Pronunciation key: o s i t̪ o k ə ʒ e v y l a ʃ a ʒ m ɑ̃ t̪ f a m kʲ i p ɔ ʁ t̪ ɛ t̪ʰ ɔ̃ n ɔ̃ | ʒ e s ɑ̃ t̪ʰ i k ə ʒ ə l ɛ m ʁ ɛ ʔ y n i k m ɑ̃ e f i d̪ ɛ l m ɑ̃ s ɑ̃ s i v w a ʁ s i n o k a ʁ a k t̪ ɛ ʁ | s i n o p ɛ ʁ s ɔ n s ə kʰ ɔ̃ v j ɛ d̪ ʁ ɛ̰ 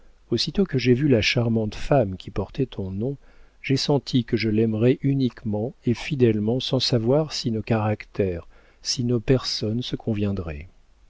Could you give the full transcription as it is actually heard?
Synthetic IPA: o s i t̪ o k ə ʒ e v y l a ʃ a ʁ m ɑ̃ t̪ f a m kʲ i p ɔ ʁ t̪ ɛ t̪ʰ ɔ̃ n ɔ̃ | ʒ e s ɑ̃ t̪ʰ i k ə ʒ ə l ɛ m ʁ ɛ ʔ y n i k m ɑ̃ e f i d̪ ɛ l m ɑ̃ s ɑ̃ s a v w a ʁ s i n o k a ʁ a k t̪ ɛ ʁ | s i n o p ɛ ʁ s ɔ n s ə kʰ ɔ̃ v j ɛ̃ d̪ ʁ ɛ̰